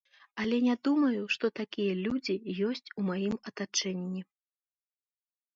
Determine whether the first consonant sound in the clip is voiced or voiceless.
voiced